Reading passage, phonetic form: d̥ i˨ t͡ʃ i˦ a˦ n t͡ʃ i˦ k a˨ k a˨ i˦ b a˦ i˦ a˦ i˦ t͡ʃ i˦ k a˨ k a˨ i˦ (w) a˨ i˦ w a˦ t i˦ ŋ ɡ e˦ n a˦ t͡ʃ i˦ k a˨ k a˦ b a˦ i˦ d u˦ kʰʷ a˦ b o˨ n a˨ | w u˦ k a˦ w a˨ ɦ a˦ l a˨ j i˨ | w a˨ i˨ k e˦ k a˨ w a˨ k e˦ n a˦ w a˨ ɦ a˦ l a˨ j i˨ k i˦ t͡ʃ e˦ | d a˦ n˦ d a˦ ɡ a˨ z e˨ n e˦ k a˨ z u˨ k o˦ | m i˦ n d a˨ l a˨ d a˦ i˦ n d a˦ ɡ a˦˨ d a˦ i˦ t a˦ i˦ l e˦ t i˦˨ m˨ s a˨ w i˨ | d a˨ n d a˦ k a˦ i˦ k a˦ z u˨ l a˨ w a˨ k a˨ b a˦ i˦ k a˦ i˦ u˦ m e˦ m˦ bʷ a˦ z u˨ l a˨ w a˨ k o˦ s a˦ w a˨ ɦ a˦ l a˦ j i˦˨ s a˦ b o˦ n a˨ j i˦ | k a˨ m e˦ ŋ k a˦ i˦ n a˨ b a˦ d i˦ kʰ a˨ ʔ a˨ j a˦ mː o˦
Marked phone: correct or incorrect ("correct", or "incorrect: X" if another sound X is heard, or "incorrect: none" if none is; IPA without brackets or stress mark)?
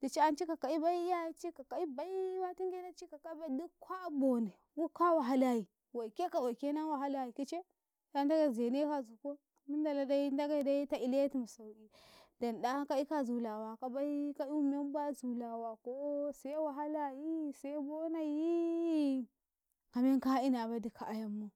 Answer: incorrect: b